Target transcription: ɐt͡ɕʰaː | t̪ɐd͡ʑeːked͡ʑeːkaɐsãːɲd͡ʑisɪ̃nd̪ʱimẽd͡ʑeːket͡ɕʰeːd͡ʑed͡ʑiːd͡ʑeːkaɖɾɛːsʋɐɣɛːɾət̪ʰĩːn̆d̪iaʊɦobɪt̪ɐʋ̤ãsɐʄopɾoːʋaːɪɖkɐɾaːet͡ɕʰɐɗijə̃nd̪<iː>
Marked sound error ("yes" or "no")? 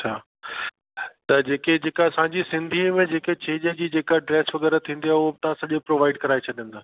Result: yes